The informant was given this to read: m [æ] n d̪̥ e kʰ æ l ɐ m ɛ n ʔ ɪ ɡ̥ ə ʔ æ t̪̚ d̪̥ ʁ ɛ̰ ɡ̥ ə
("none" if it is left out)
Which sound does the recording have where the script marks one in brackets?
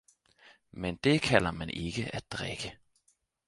ɛ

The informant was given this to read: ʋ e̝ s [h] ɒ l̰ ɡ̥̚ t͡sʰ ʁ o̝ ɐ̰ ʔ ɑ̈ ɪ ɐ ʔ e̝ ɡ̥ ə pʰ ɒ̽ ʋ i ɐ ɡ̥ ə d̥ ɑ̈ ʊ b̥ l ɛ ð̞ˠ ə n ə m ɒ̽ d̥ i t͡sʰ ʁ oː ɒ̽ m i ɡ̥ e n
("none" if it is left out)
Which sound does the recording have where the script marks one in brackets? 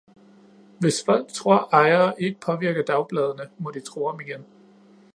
f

